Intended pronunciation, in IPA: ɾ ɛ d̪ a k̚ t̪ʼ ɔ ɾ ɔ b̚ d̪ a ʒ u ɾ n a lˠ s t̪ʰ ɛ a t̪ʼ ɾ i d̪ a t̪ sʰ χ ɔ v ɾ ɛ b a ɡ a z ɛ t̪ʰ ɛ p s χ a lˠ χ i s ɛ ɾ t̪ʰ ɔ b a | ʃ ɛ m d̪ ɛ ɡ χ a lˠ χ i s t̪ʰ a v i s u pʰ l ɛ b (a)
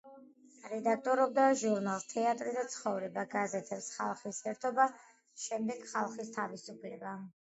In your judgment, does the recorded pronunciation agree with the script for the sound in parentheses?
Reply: yes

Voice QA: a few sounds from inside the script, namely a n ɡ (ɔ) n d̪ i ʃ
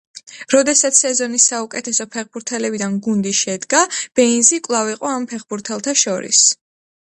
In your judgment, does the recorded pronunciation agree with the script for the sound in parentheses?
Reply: no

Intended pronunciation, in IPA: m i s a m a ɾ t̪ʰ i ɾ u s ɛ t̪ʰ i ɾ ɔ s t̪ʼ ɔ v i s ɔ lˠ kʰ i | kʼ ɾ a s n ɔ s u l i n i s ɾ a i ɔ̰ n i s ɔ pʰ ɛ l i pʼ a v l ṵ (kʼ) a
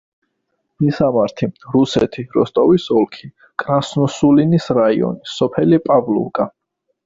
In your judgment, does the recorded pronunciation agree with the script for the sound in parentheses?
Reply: yes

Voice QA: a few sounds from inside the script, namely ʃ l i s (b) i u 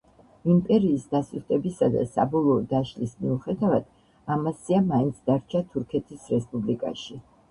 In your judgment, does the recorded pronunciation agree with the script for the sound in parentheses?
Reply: no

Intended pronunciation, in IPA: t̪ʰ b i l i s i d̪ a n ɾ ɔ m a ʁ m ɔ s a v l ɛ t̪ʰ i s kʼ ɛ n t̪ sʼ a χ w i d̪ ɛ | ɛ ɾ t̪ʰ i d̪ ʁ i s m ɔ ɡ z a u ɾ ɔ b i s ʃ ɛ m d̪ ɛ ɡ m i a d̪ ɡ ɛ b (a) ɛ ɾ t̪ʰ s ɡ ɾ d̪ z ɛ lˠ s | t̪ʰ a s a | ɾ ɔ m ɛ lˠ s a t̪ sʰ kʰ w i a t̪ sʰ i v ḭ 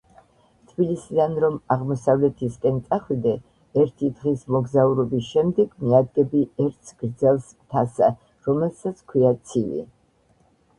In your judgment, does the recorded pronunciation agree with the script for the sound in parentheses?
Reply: no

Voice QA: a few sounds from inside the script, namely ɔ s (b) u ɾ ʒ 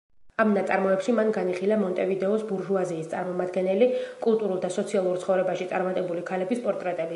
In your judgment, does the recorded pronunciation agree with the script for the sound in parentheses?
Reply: yes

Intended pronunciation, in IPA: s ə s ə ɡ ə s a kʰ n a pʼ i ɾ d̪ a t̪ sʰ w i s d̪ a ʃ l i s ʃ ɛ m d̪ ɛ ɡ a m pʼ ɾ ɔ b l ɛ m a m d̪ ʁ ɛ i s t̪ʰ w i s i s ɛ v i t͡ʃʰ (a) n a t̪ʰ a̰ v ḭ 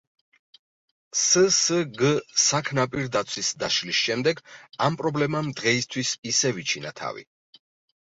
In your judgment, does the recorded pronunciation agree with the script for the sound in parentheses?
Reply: no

